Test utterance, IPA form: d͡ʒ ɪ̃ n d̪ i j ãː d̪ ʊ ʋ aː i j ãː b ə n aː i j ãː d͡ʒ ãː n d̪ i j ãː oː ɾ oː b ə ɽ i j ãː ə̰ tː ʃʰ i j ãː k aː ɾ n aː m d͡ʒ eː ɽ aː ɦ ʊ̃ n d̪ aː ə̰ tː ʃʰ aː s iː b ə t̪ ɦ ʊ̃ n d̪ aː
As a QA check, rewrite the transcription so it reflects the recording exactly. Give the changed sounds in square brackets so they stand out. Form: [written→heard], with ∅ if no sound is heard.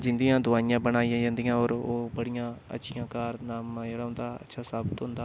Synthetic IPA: d͡ʒ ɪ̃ n d̪ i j ãː d̪ ʊ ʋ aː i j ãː b ə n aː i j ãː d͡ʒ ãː n d̪ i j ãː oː ɾ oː b ə ɽ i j ãː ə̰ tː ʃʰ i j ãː k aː ɾ n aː m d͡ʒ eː ɽ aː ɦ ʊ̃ n d̪ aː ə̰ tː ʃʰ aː s [iː→aː] b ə t̪ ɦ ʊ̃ n d̪ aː